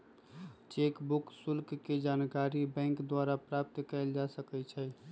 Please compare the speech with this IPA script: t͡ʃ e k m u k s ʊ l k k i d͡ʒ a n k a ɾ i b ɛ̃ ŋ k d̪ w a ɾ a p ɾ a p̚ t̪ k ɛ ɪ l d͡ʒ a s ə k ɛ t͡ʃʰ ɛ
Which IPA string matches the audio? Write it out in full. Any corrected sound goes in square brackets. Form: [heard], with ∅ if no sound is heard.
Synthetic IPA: t͡ʃ e k [b] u k s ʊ l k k [e] d͡ʒ a n k a ɾ i b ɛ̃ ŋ k d̪ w a ɾ a p ɾ a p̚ t̪ k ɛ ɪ l d͡ʒ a s ə k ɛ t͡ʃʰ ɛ

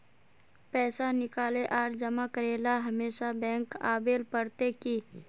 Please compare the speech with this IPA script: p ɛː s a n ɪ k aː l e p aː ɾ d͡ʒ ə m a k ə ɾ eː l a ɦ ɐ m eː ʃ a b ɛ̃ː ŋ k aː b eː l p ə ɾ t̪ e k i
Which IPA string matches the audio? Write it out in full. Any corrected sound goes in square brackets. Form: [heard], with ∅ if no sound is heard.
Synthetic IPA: p ɛː s a n ɪ k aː l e [ʔ] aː ɾ d͡ʒ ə m a k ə ɾ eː l a ɦ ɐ m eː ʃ a b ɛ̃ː ŋ k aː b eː l p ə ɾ t̪ e k i

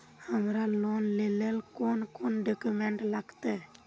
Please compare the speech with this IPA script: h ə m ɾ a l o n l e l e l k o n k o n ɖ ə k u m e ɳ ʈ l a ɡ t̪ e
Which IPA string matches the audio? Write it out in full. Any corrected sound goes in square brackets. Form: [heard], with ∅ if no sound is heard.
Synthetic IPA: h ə m ɾ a l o n l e l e l k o n k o n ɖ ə k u m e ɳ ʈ l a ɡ t̪ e

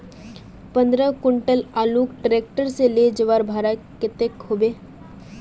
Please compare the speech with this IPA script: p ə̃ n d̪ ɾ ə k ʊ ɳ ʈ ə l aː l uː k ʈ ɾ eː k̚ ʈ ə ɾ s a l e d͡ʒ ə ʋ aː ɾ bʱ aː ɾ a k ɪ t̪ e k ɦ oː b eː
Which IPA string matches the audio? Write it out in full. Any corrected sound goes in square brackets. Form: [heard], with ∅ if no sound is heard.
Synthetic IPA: p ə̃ n d̪ ɾ ə k ʊ ɳ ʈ ə l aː l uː k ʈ ɾ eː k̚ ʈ ə ɾ s [e] l e d͡ʒ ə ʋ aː ɾ bʱ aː ɾ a k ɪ t̪ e k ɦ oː b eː

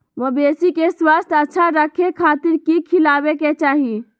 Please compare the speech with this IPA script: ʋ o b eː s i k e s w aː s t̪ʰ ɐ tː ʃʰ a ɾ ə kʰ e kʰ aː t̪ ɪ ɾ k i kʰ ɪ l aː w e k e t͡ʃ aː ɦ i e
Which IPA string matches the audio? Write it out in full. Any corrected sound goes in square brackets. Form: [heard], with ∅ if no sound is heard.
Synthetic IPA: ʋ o b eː s i k e s w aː s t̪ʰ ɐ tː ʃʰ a ɾ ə kʰ e kʰ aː t̪ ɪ ɾ k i kʰ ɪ l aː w e k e t͡ʃ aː ɦ i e

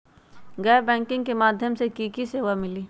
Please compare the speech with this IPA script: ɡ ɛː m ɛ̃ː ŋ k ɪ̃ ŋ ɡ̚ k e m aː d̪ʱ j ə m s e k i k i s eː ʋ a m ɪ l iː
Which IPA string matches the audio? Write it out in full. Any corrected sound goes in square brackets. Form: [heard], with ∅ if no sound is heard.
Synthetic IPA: ɡ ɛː [b] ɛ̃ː ŋ k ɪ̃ ŋ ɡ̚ k e m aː d̪ʱ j ə m s e k i k i s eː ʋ a m ɪ l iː

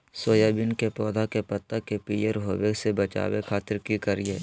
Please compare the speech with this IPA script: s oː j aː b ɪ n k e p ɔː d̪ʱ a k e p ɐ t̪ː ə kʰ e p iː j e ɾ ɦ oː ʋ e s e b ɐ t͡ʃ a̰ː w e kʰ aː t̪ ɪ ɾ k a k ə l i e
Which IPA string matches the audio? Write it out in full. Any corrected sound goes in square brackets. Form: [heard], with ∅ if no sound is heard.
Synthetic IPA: s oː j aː b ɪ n k e p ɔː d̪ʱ a k e p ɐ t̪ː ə [k] e p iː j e ɾ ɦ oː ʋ e s e b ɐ t͡ʃ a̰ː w e kʰ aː t̪ ɪ ɾ k [i] k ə [ɾ] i e

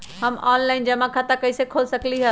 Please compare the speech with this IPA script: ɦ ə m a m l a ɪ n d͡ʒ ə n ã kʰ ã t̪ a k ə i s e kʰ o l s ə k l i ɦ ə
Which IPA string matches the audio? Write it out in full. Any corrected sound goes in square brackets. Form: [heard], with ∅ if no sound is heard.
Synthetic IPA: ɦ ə m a [n] l a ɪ n d͡ʒ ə [m] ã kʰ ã t̪ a k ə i s e kʰ o l s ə k l i ɦ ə

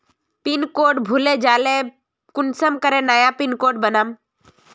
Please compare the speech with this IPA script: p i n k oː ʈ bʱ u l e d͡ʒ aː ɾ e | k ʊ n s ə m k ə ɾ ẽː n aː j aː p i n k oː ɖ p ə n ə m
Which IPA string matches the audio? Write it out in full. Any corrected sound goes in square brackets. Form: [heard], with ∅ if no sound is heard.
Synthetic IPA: p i n k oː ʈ bʱ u l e d͡ʒ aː [l] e | k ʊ n s ə m k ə ɾ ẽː n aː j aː p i n k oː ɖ [b] ə n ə m

